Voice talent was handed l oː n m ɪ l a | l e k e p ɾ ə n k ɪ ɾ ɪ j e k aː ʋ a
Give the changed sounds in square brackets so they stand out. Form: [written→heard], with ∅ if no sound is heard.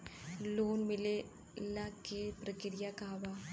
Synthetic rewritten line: l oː n m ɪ l [a→e] | l [e→a] k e p ɾ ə [n→∅] k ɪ ɾ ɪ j [e→a] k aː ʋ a